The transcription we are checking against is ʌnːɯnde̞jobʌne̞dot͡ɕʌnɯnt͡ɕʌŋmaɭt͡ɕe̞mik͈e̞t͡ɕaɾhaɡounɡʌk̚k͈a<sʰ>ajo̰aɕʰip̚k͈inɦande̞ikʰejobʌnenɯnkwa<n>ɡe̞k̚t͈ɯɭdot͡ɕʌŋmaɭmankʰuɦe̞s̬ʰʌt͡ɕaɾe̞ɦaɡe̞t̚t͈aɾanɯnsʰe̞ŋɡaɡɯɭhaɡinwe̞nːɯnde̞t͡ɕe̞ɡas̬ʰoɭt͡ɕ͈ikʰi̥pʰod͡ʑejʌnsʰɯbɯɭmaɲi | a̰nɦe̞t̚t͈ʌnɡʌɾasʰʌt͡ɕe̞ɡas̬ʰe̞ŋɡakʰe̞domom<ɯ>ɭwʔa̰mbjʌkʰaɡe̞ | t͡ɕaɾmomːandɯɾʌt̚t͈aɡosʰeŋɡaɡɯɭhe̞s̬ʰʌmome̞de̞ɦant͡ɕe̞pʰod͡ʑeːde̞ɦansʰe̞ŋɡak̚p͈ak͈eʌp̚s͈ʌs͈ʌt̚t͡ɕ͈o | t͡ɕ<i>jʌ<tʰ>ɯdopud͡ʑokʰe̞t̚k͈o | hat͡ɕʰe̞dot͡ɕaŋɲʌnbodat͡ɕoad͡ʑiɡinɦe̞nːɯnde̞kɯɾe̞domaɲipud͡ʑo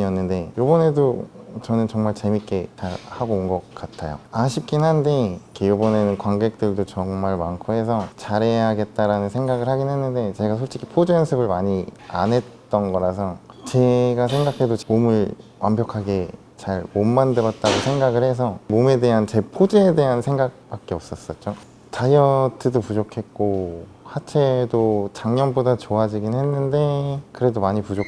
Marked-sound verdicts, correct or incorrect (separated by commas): incorrect, incorrect, correct, incorrect, correct